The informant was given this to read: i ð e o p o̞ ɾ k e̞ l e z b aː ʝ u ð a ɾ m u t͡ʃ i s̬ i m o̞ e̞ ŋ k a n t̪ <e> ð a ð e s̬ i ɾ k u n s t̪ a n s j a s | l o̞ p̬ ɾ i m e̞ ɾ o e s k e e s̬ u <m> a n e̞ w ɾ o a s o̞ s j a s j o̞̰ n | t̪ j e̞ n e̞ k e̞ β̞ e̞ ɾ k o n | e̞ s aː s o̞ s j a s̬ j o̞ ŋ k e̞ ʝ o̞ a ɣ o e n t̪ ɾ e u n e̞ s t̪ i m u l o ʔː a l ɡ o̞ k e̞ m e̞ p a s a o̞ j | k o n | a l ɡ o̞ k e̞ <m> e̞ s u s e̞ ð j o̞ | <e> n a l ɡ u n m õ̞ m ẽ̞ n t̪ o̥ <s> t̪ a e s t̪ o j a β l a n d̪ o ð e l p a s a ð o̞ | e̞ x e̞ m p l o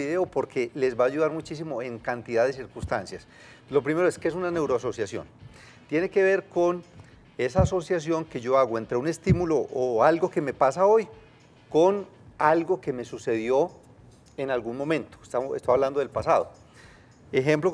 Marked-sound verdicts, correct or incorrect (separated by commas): incorrect, incorrect, correct, correct, correct